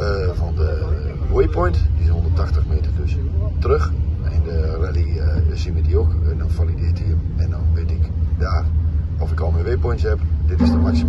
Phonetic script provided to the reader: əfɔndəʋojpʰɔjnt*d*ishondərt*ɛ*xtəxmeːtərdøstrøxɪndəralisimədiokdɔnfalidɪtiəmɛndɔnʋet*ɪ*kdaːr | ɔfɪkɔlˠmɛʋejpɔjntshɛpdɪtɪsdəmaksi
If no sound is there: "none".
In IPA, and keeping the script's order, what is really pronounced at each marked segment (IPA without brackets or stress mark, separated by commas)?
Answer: d, a, ɪ